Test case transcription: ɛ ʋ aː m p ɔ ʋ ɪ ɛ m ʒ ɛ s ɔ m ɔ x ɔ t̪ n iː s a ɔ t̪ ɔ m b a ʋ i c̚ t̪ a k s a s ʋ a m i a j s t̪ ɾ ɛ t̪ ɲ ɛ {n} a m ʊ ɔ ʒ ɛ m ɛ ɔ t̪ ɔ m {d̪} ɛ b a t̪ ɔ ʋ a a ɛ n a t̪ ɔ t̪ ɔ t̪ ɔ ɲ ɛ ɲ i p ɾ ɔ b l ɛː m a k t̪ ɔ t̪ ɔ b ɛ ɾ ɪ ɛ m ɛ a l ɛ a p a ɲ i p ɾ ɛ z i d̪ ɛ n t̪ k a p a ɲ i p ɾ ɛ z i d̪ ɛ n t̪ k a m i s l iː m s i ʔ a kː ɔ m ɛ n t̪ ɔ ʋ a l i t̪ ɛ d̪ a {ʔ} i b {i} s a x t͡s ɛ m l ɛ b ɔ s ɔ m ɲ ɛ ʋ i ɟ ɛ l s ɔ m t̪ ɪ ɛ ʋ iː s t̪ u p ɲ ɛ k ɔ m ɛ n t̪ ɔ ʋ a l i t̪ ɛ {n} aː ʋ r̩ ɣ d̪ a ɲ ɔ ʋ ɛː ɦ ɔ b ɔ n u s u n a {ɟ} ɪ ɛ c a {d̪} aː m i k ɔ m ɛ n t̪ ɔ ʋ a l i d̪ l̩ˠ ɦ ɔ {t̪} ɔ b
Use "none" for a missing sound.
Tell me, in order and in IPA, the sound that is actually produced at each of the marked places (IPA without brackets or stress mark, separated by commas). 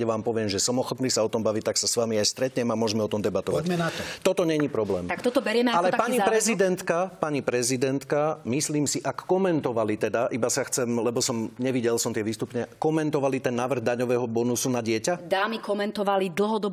m, d̪, ʔ, a, nː, ɟ, d̪, d̪